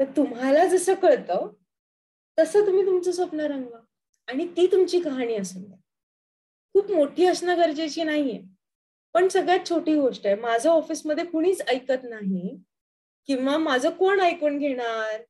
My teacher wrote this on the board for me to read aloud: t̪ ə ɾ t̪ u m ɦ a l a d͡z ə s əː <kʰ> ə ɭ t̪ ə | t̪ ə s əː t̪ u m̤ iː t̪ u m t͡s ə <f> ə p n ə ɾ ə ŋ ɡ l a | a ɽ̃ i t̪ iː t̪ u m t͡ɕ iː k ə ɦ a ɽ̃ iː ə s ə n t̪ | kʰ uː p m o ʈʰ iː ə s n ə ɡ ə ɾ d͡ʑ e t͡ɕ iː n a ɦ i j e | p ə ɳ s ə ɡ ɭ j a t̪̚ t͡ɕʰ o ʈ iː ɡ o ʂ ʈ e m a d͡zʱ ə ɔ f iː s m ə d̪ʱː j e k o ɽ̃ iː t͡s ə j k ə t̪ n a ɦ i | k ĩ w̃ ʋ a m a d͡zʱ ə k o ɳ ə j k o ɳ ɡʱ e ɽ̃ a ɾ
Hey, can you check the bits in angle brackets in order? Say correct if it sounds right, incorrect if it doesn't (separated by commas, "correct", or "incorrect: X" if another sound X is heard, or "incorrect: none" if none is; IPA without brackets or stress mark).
incorrect: k, incorrect: s